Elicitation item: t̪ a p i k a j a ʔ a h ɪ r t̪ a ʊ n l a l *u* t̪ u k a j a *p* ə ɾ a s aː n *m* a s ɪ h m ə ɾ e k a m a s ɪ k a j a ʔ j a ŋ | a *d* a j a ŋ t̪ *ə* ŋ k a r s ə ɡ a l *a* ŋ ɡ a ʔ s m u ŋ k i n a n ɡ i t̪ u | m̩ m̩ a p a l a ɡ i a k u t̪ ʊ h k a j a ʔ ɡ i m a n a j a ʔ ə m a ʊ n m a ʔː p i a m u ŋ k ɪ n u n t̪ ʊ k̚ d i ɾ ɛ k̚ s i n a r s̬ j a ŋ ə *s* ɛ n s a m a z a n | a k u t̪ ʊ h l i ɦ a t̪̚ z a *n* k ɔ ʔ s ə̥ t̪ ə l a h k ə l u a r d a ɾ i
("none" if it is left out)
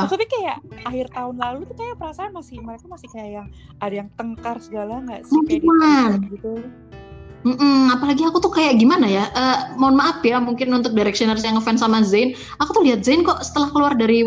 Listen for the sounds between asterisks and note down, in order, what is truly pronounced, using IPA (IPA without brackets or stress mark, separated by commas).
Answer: u, p, m, d, ə, a, f, n